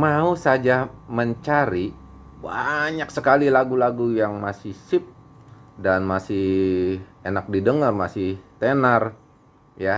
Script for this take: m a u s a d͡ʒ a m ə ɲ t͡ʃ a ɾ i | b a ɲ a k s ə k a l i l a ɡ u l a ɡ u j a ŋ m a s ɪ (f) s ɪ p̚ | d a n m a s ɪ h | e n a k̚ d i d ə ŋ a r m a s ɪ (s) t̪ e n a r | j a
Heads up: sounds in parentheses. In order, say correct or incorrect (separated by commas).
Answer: incorrect, incorrect